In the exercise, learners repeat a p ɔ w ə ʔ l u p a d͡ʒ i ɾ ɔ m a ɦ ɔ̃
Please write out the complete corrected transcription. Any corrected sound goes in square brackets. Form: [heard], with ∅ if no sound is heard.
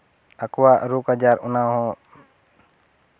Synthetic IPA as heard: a [k] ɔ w [a] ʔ [ɾ] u [k] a d͡ʒ [a] ɾ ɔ [n] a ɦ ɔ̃